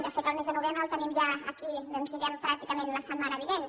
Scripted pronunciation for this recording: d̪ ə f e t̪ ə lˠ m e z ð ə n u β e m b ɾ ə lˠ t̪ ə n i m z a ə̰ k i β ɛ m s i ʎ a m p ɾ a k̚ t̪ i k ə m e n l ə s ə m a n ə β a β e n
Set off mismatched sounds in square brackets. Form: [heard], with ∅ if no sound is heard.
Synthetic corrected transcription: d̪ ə f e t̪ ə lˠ m e z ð ə n u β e m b ɾ ə lˠ t̪ ə n i m [ʒ] a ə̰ k i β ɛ m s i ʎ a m p ɾ a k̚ t̪ i k ə m e n l ə s ə m a n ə β [i] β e n

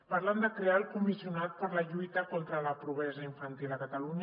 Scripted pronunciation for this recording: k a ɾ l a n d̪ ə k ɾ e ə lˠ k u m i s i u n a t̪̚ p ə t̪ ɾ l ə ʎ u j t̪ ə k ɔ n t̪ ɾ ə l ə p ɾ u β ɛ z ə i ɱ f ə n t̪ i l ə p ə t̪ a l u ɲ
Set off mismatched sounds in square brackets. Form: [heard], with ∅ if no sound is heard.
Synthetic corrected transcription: [p] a ɾ l a n d̪ ə k ɾ e [a] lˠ k u m i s i u n a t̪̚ p ə [∅] ɾ l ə ʎ u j t̪ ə k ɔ n t̪ ɾ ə l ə p ɾ u β ɛ z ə i ɱ f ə n t̪ i l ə [k] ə t̪ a l u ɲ

